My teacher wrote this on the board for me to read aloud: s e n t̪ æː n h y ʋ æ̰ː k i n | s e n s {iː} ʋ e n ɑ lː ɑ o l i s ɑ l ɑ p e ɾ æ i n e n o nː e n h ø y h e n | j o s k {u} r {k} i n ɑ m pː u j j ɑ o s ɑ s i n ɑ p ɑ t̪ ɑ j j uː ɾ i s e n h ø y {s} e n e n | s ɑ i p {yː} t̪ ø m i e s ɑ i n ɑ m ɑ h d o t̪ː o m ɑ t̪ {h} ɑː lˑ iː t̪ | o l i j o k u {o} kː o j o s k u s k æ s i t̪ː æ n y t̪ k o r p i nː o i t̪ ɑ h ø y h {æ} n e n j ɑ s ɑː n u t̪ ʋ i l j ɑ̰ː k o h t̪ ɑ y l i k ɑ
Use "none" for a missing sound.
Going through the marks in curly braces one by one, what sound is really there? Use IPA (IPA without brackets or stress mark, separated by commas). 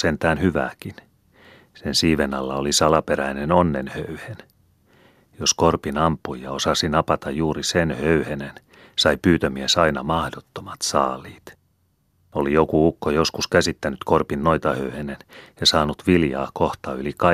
iː, o, p, h, yː, s, u, e